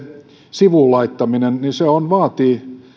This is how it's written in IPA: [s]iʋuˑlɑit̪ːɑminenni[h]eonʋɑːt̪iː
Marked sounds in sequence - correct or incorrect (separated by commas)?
correct, incorrect